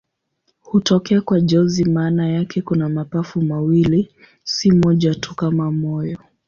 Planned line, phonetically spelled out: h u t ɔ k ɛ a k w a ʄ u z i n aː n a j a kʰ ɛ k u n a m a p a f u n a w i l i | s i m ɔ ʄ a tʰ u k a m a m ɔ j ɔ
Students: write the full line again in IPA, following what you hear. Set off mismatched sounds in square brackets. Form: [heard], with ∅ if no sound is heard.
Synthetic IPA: h u t ɔ k ɛ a k w a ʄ [ɔ] z i [m] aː n a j a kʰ ɛ k u n a m a p a f u [m] a w i l i | s i m ɔ ʄ a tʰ u k a m a m ɔ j ɔ